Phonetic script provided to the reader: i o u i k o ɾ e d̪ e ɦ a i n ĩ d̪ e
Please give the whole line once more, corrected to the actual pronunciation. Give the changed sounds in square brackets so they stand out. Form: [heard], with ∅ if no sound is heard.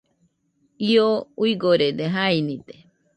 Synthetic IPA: i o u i [ɡ] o ɾ e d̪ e ɦ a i n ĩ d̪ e